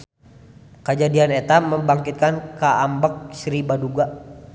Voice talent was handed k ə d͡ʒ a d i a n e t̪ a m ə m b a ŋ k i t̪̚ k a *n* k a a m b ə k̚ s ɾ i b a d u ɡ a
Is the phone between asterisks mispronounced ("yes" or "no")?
no